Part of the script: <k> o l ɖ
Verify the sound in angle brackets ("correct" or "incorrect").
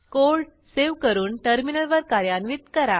correct